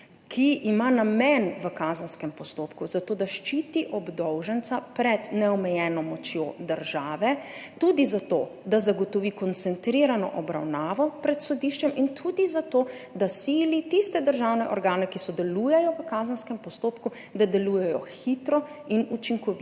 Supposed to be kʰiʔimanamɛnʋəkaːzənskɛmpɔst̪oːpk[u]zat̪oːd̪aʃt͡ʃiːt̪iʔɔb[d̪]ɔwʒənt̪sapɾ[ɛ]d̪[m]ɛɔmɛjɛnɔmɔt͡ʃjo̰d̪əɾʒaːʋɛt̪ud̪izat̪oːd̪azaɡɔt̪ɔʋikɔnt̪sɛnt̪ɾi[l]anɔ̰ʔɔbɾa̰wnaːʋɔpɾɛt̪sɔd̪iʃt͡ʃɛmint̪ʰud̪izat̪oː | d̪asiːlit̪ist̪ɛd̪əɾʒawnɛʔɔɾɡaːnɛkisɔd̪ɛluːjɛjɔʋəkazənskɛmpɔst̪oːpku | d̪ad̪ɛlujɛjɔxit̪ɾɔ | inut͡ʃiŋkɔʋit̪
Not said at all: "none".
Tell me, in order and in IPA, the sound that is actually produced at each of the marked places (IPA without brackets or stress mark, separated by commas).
u, d̪, ɛ, n, ɾ